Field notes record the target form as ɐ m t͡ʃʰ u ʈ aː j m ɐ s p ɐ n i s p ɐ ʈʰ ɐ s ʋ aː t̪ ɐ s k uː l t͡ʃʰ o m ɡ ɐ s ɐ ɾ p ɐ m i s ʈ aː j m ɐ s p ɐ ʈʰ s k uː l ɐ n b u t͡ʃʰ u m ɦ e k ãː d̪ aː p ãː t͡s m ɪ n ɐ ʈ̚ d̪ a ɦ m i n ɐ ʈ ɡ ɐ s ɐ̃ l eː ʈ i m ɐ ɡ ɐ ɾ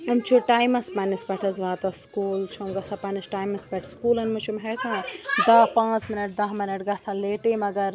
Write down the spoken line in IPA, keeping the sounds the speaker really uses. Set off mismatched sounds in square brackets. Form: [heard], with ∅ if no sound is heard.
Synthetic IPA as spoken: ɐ m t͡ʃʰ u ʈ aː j m ɐ s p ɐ n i s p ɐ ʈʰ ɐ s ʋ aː t̪ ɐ s k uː l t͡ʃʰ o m ɡ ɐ s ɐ [∅] p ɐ [n] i s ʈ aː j m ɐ s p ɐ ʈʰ s k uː l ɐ n [m] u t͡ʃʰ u m ɦ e k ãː d̪ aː p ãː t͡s m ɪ n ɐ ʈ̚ d̪ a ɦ m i n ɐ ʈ ɡ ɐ s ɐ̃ l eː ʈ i m ɐ ɡ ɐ ɾ